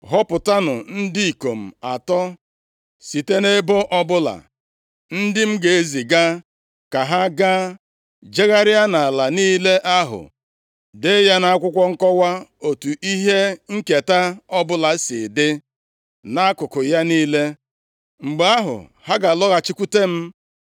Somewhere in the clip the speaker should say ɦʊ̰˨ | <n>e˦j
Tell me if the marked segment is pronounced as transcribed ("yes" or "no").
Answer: no